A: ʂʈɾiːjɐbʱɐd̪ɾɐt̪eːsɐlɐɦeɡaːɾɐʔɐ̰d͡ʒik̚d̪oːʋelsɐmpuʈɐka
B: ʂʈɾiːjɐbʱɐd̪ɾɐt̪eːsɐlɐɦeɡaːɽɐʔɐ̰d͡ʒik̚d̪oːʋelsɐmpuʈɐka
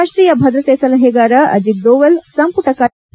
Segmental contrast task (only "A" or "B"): A